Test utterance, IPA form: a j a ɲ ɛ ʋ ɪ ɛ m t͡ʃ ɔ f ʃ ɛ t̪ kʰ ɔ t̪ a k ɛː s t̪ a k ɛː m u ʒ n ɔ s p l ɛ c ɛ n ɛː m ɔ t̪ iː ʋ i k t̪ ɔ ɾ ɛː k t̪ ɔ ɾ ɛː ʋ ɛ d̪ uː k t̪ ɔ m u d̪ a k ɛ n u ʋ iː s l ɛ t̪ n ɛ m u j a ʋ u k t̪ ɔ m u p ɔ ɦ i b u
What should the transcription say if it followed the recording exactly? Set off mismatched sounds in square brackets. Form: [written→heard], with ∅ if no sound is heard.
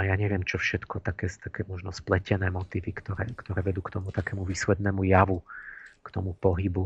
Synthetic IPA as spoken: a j a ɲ ɛ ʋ ɪ ɛ m t͡ʃ ɔ f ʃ ɛ t̪ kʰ ɔ t̪ a k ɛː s t̪ a k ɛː m [u→ɔ] ʒ n ɔ s p l ɛ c ɛ n ɛː m ɔ t̪ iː ʋ i k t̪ ɔ ɾ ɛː k t̪ ɔ ɾ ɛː ʋ ɛ d̪ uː k t̪ ɔ m u [d̪→t̪] a k ɛ [n→m] u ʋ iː s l ɛ [t̪→d̪] n ɛ m u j a ʋ u k t̪ ɔ m u p ɔ ɦ i b u